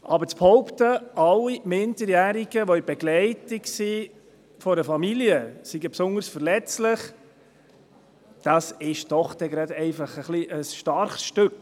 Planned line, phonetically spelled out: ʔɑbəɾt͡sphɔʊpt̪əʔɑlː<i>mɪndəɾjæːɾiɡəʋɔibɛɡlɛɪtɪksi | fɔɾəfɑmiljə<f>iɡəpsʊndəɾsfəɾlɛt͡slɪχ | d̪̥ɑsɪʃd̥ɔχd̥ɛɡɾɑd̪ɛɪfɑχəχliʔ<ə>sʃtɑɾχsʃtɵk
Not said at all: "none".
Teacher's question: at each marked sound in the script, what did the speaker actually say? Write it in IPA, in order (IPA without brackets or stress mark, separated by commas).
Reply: i, s, ə